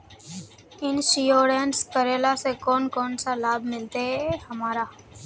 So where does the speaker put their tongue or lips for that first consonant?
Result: tongue tip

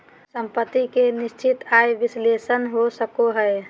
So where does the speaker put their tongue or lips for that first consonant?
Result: tongue tip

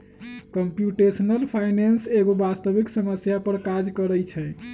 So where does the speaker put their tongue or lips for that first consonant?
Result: velum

